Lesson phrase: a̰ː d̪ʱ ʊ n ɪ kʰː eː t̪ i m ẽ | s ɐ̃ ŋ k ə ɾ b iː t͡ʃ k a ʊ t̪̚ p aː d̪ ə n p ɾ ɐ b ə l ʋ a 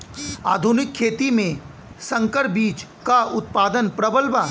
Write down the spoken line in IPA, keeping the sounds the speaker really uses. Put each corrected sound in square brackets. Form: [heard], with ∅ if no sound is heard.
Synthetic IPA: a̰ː d̪ʱ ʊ n ɪ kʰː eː t̪ i m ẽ | s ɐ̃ ŋ k ə ɾ b iː t͡ʃ k a ʊ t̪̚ p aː d̪ ə n p ɾ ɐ b ə l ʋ a